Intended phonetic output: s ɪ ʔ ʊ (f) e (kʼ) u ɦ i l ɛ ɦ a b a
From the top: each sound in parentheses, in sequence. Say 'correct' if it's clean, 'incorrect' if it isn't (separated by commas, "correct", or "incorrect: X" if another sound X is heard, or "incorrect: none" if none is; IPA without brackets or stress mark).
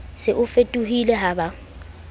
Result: correct, incorrect: tʼ